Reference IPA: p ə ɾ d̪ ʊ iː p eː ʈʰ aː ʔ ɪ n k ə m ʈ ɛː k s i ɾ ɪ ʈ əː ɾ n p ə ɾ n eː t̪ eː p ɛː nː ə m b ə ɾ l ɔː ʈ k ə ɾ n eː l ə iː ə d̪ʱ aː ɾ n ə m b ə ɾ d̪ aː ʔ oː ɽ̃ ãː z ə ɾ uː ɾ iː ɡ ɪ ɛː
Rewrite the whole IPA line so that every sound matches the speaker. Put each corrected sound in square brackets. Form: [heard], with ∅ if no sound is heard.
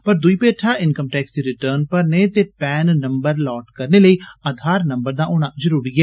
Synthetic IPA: p ə ɾ d̪ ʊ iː p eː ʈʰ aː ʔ ɪ n k ə m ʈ ɛː k s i ɾ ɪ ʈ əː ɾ n p ə ɾ n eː t̪ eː p ɛː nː ə m b ə ɾ l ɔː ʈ k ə ɾ n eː l ə iː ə d̪ʱ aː ɾ n ə m b ə ɾ d̪ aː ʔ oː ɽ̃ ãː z ə ɾ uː ɾ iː ɡ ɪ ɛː